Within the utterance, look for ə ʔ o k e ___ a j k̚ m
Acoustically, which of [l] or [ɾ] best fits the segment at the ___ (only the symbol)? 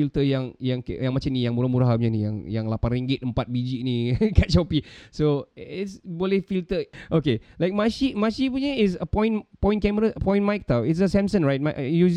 l